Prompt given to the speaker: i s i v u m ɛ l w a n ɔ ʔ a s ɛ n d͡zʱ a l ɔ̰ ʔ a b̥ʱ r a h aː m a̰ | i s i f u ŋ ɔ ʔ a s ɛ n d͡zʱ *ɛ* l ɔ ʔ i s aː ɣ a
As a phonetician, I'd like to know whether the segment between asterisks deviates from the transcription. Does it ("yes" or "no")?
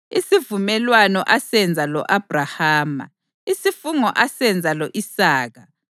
yes